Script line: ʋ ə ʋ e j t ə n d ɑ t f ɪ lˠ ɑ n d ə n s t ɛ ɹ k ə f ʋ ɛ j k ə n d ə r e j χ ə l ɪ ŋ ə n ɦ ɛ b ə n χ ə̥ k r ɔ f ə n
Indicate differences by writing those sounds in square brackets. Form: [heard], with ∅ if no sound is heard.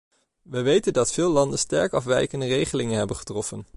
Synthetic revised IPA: ʋ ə ʋ e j t ə n d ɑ t f [ɪː] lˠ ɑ n d ə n s t ɛ ɹ k [ɑ] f ʋ ɛ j k ə n d ə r e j χ ə l ɪ ŋ ə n ɦ ɛ b ə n χ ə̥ [t] r ɔ f ə n

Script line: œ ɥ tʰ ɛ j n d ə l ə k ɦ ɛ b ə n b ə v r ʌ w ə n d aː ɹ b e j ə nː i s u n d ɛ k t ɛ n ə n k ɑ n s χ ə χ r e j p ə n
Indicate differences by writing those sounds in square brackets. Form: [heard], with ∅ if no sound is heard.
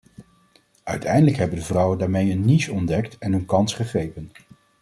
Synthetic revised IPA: œ ɥ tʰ ɛ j n d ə l ə k ɦ ɛ b ə n [d] ə v r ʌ w ə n d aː ɹ [m] e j ə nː i s [ɔ] n d ɛ k t ɛ n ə n k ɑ n s χ ə χ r e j p ə n

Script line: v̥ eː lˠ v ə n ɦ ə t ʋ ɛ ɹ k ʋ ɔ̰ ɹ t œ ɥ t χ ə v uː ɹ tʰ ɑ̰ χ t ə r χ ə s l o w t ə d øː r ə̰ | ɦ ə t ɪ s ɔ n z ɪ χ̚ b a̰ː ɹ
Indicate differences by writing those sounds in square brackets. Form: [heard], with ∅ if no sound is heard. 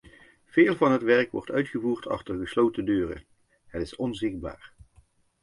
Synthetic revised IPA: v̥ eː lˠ v [ɑ] n ɦ ə t ʋ ɛ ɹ k ʋ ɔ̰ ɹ t œ ɥ t χ ə v uː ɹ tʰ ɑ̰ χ t ə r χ ə s l o w t ə d øː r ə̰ | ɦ ə t ɪ s ɔ n z ɪ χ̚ b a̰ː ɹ

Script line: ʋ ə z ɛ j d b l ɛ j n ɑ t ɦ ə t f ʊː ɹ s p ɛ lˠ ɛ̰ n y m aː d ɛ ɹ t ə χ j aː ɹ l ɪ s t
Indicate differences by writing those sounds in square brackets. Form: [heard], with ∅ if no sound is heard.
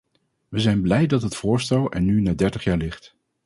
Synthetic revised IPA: ʋ ə z ɛ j [n] b l ɛ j [d] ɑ t ɦ ə t f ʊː ɹ s [t] ɛ lˠ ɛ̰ n y [n] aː d ɛ ɹ t ə χ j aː ɹ l ɪ [χ] t

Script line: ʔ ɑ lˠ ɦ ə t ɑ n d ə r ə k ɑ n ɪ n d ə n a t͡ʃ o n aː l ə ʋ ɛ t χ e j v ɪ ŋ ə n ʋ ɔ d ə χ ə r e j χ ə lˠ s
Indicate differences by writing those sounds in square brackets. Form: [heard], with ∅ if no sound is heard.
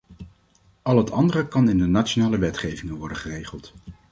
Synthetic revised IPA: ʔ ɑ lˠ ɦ ə t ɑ n d ə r ə k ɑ n ɪ n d ə n a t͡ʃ o n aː l ə ʋ ɛ t χ e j v ɪ ŋ ə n ʋ ɔ d ə χ ə r e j χ ə lˠ [t]

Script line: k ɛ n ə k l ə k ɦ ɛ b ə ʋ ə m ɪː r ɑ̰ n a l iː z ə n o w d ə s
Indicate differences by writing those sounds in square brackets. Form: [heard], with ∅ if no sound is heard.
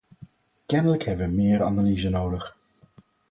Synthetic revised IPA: k ɛ n ə [∅] l ə k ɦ ɛ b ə ʋ ə m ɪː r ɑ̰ n a l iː z ə n o w d ə [χ]

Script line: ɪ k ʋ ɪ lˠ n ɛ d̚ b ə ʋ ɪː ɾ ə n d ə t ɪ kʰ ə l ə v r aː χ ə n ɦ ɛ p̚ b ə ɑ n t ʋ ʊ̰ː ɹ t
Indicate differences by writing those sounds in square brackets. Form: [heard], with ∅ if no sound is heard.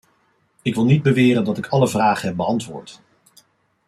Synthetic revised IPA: ɪ k ʋ ɪ lˠ n [i] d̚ b ə ʋ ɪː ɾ ə n d [ɑ] t ɪ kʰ [ɑ] l ə v r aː χ ə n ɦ ɛ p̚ b ə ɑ n t ʋ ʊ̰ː ɹ t

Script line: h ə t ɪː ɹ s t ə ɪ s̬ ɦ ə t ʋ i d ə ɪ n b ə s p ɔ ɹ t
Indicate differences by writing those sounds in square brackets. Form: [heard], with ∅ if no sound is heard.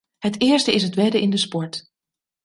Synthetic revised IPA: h ə t ɪː ɹ s t ə ɪ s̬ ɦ ə t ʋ [ɛ] d ə ɪ n [d] ə s p ɔ ɹ t

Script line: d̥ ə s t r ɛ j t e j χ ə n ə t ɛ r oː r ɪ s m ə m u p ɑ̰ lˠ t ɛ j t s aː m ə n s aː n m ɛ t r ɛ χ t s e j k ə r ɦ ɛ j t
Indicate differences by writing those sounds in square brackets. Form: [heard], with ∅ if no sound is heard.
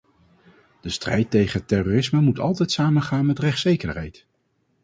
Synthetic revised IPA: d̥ ə s t r ɛ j t e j χ ə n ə t ɛ r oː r ɪ s m ə m u [t] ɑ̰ lˠ t ɛ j t s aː m ə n [χ] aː n m ɛ t r ɛ χ t s e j k ə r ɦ ɛ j t

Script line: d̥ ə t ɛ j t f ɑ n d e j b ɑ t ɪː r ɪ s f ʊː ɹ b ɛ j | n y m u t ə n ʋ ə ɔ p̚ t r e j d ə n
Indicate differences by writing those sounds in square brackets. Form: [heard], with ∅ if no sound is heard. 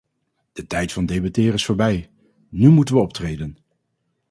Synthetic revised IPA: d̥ ə t ɛ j t f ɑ n d e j b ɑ t ɪː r ɪ s f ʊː ɹ b ɛ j | n y m u t ə n ʋ ə ɔ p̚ t r e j d ə n

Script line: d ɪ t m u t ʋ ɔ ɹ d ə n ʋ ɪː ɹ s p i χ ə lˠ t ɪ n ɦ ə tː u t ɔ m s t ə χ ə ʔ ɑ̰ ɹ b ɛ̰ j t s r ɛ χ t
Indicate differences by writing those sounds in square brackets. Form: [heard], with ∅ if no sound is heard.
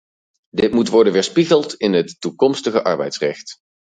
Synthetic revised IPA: d ɪ t m u t ʋ ɔ ɹ d ə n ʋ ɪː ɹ s p i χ ə lˠ t ɪ n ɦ ə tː u [k] ɔ m s t ə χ ə ʔ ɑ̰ ɹ b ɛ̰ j t s r ɛ χ t

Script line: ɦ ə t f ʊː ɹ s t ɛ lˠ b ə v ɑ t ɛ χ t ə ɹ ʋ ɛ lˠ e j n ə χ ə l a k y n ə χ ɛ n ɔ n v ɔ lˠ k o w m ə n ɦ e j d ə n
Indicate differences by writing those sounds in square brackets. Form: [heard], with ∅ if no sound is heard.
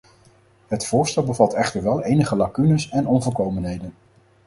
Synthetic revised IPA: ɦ ə t f ʊː ɹ s t ɛ lˠ b ə v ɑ t ɛ χ t ə ɹ ʋ ɛ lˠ e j n ə χ ə l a k y n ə [s] ɛ n ɔ n v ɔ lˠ k o w m ə n ɦ e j d ə n

